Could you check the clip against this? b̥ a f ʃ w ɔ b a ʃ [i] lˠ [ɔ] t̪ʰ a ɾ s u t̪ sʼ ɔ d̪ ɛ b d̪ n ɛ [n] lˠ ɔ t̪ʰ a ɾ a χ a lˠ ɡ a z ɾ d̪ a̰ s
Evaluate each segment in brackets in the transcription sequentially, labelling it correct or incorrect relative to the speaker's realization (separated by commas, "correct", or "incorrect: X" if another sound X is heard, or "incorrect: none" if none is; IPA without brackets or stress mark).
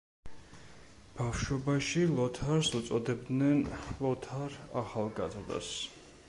correct, correct, correct